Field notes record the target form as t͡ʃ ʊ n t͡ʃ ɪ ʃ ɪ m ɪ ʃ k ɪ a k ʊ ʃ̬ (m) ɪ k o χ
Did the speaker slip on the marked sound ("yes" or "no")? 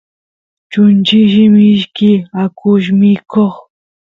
no